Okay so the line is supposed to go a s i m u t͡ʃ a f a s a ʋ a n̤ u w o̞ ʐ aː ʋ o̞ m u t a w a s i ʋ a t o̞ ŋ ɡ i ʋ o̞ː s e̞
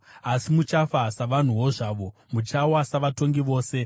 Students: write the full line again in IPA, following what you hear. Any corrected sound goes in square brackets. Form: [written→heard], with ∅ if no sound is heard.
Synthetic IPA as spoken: a s i m u t͡ʃ a f a s a ʋ a n̤ u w o̞ ʐ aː ʋ o̞ m u [t→t͡ʃ] a w a s [i→a] ʋ a t o̞ ŋ ɡ i ʋ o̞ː s e̞